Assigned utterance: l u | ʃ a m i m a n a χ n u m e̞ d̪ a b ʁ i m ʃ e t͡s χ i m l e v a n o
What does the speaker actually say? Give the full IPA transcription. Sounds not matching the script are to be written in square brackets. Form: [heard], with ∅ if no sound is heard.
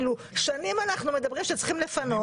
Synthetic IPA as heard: l u | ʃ a [n] i m a n a χ n u m e̞ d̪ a b ʁ i m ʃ e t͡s χ i m l e [f] a n o